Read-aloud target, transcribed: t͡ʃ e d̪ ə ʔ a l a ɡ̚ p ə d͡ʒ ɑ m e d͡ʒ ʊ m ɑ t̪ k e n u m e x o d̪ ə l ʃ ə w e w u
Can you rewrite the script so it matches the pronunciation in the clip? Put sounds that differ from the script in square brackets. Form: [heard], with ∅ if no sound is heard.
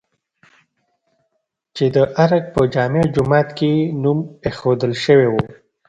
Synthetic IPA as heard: t͡ʃ e d̪ ə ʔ a [ɾ] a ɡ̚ p ə d͡ʒ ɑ m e d͡ʒ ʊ m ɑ t̪ k e n u m e x o d̪ ə l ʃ ə w e w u